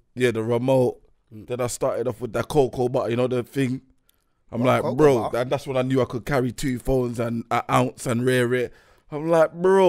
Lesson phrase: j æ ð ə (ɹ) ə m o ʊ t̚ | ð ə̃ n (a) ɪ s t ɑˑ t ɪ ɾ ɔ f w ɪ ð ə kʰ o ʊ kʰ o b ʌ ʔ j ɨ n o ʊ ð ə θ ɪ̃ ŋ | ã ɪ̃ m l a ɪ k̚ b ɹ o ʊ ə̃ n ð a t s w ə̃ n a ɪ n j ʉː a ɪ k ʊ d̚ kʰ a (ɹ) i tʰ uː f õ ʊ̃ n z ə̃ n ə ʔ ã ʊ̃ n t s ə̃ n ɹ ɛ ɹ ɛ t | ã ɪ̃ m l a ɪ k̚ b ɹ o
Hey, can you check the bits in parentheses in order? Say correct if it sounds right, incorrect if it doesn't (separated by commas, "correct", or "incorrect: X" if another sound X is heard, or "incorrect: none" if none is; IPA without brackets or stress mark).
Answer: correct, correct, correct